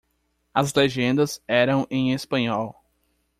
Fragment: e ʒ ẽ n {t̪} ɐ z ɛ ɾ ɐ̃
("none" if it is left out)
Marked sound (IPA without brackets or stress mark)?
d̪